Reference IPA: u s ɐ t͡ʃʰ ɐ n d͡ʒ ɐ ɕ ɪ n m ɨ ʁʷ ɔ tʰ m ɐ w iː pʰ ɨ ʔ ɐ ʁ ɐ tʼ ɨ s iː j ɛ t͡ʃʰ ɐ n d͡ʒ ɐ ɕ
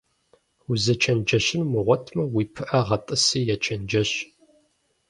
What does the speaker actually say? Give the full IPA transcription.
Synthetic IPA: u z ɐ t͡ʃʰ ɐ n d͡ʒ ɐ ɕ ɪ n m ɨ ʁʷ ɔ tʰ m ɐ w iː pʰ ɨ ʔ ɐ ʁ ɐ tʼ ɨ s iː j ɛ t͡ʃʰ ɐ n d͡ʒ ɐ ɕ